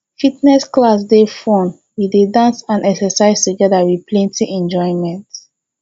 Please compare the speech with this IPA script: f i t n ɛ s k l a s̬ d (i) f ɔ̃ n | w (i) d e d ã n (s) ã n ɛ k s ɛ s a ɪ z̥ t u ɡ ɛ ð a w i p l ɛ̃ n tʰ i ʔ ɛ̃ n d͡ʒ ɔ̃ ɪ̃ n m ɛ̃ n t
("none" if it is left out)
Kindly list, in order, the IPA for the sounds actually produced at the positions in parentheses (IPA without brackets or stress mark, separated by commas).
e, i, s